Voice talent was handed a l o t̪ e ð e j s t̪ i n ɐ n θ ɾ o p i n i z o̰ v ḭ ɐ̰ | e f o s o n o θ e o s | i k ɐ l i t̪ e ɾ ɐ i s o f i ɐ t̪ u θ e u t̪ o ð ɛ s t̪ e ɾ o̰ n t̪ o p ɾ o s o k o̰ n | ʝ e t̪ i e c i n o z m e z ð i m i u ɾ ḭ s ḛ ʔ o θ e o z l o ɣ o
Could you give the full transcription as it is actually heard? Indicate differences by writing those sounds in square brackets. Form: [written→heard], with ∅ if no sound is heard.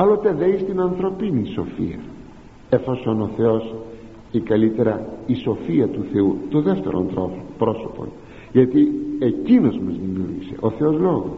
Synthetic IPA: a l o t̪ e ð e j s t̪ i n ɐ n θ ɾ o p i n i [z→s] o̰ [v→f] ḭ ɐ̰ | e f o s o n o θ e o s | i k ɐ l i t̪ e ɾ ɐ i s o f i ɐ t̪ u θ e u t̪ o ð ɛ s t̪ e ɾ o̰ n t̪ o p ɾ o s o [k→p] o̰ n | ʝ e t̪ i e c i n o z m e z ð i m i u ɾ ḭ s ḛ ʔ o θ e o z l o ɣ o